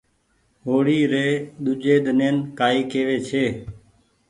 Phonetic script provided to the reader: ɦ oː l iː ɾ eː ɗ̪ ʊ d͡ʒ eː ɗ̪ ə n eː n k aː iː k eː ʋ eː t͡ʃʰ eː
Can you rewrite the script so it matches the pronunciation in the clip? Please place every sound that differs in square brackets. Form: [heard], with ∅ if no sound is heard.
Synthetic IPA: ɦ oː [ɽ] iː ɾ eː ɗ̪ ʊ d͡ʒ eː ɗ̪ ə n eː n k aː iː k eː ʋ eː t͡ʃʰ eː